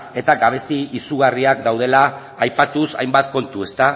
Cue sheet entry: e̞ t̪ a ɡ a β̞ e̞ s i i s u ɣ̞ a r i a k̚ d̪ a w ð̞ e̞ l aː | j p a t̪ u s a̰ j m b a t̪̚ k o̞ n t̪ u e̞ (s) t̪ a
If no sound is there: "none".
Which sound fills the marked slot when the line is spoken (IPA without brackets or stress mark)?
s